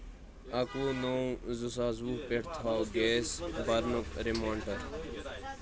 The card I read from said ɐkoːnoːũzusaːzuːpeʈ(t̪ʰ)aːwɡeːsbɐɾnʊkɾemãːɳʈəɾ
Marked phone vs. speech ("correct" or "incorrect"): correct